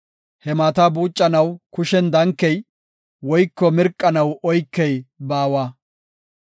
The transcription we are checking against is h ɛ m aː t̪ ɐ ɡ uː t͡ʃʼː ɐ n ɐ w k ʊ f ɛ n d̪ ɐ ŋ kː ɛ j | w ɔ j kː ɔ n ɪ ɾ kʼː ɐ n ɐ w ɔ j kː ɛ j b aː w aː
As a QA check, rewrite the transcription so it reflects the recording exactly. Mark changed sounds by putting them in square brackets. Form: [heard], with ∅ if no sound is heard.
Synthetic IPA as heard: h ɛ m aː t̪ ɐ [b] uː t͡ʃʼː ɐ n ɐ w k ʊ [ʃ] ɛ n d̪ ɐ ŋ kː ɛ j | w ɔ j kː ɔ [m] ɪ ɾ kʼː ɐ n ɐ w ɔ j kː ɛ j b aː w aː